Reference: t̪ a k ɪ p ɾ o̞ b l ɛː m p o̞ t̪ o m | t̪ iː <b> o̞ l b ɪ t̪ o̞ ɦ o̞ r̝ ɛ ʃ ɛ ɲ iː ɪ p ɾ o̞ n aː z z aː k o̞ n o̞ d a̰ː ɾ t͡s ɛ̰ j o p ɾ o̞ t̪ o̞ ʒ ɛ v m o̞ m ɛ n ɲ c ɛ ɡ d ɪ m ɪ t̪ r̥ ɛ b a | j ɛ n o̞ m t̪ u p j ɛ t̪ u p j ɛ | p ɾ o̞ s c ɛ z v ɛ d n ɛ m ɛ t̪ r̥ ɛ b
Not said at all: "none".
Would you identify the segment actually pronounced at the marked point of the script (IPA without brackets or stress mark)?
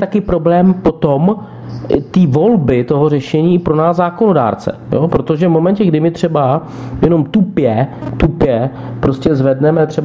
v